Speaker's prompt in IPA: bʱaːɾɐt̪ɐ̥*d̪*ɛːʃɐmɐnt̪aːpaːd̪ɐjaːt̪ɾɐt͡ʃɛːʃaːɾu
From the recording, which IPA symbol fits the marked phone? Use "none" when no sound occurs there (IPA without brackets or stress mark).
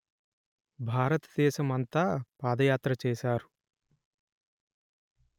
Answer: d̪